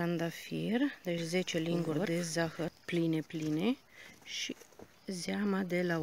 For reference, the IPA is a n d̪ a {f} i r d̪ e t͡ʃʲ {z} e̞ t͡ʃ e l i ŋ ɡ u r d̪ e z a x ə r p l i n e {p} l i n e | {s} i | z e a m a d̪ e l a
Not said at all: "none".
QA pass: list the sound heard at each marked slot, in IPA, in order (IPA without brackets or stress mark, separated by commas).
f, z, p, ʃ